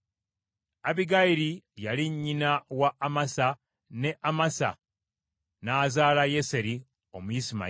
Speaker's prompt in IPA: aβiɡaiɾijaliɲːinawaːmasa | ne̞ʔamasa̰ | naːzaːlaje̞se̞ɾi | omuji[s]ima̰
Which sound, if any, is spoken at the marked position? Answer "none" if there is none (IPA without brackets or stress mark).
s